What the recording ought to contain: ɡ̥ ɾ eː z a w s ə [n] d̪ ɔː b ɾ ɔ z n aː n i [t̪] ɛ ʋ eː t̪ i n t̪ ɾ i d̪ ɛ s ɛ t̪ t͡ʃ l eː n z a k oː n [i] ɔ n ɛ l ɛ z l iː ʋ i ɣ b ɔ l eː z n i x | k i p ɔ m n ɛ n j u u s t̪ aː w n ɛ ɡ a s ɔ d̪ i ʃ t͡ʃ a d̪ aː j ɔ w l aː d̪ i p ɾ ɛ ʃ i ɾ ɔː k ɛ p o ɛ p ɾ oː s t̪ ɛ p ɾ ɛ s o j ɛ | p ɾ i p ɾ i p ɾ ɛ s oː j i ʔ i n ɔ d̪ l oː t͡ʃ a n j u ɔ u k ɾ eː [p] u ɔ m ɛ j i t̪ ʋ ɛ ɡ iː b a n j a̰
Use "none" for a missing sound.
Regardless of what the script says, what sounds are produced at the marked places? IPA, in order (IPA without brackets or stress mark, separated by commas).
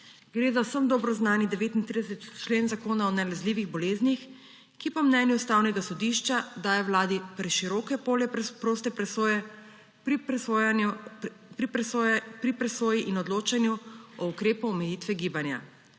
m, d̪, a, p